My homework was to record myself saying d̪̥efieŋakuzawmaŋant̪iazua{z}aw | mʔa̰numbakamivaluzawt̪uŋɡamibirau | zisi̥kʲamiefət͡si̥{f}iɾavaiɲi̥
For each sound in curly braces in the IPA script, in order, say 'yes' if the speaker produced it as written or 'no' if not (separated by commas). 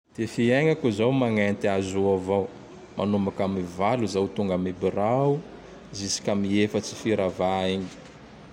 no, yes